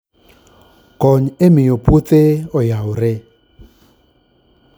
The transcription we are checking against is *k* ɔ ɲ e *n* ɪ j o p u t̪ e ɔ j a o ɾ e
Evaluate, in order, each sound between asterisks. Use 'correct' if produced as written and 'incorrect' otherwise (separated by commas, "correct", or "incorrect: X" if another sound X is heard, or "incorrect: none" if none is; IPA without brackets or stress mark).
correct, incorrect: m